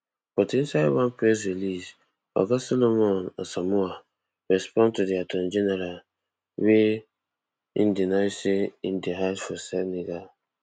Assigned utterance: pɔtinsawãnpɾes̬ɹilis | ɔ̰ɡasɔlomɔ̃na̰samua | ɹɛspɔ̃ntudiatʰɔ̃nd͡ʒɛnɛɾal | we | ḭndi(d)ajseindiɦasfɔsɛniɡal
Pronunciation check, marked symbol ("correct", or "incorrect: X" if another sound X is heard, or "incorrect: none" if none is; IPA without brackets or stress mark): incorrect: n